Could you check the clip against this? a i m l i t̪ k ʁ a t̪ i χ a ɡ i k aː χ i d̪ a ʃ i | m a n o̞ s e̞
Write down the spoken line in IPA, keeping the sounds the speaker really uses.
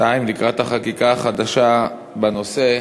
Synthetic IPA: a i m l i k ʁ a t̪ a χ a k i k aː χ a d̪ a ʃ a | b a n o̞ s e̞